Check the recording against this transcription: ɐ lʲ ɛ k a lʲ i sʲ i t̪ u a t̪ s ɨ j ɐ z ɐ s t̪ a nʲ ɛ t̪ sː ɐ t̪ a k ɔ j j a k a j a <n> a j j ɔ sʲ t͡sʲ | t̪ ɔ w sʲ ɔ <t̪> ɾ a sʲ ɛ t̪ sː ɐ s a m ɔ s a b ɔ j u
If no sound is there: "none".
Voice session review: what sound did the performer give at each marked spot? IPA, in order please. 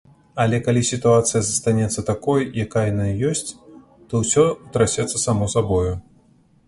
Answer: n, t̪

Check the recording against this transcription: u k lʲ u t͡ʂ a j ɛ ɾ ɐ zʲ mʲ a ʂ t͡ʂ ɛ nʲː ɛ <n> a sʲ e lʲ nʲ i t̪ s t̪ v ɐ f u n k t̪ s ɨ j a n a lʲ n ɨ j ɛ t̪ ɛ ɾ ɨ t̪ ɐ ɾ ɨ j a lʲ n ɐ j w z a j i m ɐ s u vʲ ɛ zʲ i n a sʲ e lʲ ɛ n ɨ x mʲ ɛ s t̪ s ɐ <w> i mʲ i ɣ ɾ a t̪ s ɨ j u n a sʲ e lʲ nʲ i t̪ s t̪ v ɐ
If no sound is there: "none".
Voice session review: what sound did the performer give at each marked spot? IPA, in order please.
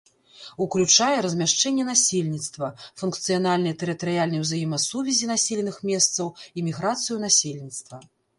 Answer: n, w

